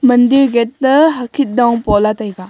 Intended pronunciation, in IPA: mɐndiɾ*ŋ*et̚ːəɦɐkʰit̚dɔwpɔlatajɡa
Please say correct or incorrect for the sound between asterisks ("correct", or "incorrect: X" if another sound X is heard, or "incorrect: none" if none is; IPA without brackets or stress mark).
incorrect: ɡ